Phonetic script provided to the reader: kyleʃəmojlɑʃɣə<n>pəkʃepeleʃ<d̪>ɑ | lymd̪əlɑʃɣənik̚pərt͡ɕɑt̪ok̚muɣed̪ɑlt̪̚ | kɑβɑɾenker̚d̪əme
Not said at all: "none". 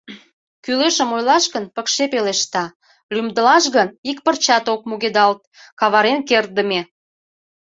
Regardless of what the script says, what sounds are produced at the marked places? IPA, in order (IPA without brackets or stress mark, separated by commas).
n, t̪